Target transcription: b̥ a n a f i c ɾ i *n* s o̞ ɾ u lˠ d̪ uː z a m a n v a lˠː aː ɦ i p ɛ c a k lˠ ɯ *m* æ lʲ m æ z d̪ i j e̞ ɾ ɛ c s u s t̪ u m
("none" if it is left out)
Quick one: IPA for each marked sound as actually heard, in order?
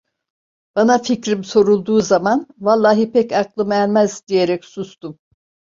m, m

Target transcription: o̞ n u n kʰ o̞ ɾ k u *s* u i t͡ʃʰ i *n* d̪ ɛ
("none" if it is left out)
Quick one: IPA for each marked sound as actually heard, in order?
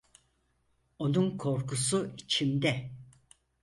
s, m

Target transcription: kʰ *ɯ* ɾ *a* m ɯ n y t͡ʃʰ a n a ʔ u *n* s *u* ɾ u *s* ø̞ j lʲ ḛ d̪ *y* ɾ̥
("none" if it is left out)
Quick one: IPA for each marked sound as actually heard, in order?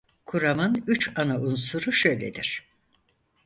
u, a, n, u, ʃ, i

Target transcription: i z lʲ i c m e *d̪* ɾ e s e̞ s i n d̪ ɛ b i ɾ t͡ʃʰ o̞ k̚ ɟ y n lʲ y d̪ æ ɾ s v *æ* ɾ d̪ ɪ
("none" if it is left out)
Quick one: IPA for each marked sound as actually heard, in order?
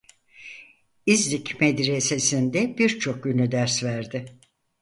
d̪, æ

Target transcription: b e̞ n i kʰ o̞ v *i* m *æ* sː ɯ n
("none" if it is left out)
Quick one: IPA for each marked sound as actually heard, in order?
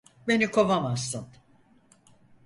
a, a

